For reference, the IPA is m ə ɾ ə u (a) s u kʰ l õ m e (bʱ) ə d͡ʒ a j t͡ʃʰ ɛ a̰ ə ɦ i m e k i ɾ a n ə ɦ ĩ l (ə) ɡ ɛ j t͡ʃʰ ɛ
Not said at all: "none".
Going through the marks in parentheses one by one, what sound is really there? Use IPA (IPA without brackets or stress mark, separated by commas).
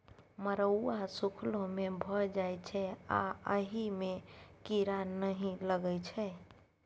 a, bʱ, ə